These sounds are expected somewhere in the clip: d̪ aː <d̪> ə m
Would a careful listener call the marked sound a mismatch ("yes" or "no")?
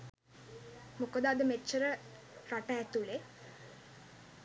no